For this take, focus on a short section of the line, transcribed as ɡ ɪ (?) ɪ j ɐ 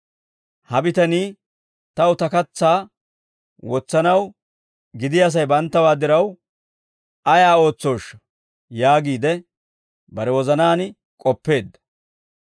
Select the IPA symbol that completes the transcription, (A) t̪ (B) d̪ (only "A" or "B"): B